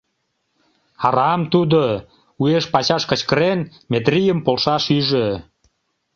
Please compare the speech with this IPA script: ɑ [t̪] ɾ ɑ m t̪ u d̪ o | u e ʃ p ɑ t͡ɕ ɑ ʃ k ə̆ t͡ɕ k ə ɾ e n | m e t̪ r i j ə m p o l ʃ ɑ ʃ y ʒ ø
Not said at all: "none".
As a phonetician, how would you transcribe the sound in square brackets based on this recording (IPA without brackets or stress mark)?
none